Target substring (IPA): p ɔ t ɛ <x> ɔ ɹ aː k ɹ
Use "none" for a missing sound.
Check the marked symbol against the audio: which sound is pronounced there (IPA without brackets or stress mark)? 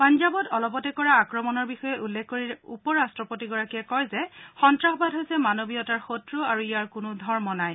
k